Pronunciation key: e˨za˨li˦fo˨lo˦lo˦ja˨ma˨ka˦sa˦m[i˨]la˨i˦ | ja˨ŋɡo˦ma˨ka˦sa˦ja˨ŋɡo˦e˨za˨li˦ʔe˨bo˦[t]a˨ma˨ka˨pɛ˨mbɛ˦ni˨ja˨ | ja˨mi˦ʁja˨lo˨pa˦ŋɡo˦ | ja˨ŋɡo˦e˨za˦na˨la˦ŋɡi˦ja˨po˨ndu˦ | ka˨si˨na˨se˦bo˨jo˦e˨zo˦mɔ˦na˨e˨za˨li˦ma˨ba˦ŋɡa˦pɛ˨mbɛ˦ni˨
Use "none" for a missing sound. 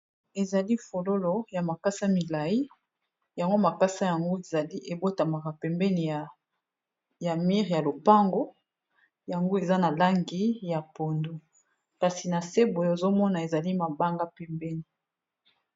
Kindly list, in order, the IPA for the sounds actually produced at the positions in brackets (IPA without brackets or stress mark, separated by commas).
i˨, t